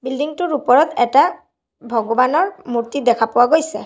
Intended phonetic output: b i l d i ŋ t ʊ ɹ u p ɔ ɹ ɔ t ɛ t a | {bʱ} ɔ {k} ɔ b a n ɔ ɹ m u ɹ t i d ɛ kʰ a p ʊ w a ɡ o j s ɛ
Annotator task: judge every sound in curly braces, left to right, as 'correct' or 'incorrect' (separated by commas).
correct, incorrect